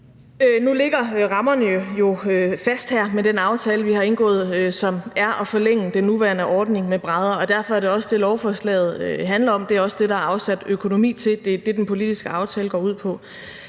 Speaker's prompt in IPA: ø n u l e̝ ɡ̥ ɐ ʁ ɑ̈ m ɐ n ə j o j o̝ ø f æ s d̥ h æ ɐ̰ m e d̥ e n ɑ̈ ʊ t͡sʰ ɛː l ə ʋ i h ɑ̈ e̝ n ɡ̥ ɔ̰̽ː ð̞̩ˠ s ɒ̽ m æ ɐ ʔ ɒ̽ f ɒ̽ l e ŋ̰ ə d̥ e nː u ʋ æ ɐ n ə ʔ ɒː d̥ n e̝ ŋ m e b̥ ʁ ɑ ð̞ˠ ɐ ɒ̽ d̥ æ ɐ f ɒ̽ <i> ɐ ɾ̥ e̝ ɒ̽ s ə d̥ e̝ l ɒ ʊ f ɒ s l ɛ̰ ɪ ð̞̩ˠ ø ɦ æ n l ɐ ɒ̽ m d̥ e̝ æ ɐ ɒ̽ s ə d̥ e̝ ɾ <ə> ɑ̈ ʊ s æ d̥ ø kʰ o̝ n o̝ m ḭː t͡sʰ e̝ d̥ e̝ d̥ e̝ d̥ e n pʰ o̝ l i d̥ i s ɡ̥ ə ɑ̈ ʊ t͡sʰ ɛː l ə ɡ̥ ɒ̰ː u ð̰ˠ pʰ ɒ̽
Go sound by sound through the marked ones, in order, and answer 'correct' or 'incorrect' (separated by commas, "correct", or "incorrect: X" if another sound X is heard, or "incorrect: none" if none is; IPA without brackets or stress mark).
incorrect: æ, incorrect: ɑ